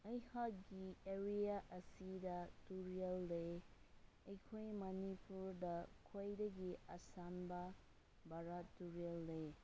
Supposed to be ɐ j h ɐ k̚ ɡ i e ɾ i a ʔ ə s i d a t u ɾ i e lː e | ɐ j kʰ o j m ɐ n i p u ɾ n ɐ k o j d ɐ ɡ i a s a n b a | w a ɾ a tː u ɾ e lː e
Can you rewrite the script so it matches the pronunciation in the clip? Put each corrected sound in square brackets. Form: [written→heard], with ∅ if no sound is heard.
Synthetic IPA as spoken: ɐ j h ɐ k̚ ɡ i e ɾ i a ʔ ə s i d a t u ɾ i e lː e | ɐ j kʰ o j m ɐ n i p u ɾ [n→d] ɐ [k→kʰ] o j d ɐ ɡ i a s a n b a | [w→b] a ɾ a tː u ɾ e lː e

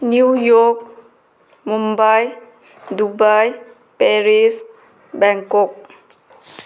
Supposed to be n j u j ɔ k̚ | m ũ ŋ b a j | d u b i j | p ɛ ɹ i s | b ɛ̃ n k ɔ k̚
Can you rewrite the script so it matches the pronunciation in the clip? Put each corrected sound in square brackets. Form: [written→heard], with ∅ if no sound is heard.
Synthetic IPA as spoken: n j u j ɔ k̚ | m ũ [ŋ→m] b a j | d u b [i→a] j | p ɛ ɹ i s | b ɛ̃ [n→ŋ] k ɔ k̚

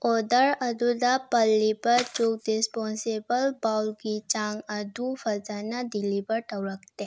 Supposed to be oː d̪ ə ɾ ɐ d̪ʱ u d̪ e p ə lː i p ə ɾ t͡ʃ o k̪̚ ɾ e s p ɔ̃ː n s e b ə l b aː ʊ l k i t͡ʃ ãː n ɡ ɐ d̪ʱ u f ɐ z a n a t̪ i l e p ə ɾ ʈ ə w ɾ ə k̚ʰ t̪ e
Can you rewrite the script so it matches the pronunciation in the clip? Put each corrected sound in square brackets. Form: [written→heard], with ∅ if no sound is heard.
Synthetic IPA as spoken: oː d̪ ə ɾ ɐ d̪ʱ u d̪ [e→a] p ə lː i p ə ɾ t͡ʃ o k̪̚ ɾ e s p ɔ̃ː n s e b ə l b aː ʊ l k i t͡ʃ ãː [n→ŋ] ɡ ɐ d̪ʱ u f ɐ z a n a [t̪→d̪] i l [e→i] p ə ɾ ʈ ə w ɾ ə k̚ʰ t̪ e

